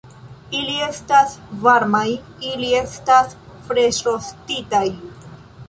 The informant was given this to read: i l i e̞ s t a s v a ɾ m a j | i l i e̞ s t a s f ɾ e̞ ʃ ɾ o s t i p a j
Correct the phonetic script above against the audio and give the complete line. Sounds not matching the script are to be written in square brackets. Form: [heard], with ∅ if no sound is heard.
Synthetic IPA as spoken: i l i e̞ s t a s v a ɾ m a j | i l i e̞ s t a s f ɾ e̞ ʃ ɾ o s t i [t] a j